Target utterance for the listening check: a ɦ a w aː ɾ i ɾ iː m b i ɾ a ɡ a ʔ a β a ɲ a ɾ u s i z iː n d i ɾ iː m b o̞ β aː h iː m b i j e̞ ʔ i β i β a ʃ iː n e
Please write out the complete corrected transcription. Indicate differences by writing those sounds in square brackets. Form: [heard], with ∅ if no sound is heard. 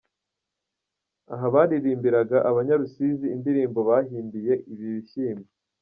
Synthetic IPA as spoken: a ɦ a [β] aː ɾ i ɾ iː m b i ɾ a ɡ a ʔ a β a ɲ a ɾ u s i z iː n d i ɾ iː m b o̞ β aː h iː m b i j e̞ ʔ i β i β [i] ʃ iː [m] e